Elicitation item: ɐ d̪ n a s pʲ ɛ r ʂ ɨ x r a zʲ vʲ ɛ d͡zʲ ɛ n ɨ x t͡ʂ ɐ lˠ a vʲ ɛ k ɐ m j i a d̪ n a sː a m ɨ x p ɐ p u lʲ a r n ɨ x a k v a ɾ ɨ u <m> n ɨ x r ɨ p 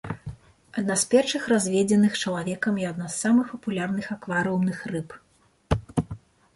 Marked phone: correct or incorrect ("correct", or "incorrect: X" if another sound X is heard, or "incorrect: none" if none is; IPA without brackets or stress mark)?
correct